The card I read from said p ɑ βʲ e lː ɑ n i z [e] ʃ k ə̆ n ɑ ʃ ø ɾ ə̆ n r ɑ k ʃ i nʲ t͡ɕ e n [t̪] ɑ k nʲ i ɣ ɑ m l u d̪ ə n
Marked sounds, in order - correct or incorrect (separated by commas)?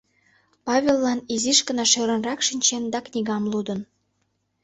incorrect, incorrect